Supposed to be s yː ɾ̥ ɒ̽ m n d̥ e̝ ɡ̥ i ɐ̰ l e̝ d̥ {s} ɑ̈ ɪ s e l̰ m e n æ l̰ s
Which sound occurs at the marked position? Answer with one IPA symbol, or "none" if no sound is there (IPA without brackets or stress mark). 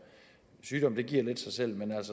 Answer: s